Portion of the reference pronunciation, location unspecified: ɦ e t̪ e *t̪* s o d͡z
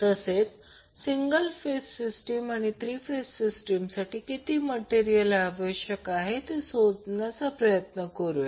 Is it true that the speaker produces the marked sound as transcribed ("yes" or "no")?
no